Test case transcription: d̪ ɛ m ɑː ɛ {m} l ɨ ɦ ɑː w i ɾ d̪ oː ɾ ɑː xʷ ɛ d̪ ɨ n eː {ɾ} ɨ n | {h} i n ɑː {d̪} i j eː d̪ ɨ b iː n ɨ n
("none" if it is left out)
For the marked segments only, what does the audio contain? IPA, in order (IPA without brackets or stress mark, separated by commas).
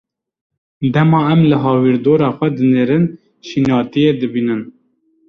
m, ɾ, ʃ, t̪